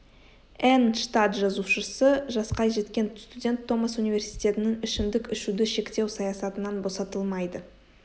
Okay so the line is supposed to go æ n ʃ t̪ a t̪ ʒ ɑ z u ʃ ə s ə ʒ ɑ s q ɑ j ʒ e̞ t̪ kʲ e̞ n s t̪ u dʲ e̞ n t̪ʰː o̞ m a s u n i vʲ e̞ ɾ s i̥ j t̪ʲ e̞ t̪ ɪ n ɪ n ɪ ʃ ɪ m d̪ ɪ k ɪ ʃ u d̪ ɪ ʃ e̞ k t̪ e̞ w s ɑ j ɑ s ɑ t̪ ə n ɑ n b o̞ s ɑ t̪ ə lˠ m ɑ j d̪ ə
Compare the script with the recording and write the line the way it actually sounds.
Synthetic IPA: æ n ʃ t̪ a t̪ ʒ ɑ z u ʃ ə s ə ʒ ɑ s q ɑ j ʒ e̞ t̪ kʲ e̞ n s t̪ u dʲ e̞ n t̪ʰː o̞ m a s u n i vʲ e̞ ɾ s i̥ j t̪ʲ e̞ t̪ ɪ n ɪ ŋ ɪ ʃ ɪ m d̪ ɪ k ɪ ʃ u d̪ ɪ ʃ e̞ k t̪ e̞ w s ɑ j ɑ s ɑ t̪ ə n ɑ n b o̞ s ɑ t̪ ə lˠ m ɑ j d̪ ə